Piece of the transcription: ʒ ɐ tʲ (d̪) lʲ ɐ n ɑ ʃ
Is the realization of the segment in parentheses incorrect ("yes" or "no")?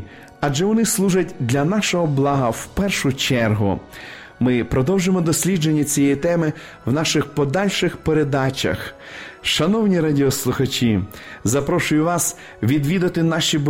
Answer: no